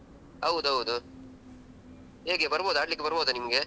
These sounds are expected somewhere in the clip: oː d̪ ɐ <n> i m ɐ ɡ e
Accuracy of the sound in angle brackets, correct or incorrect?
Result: correct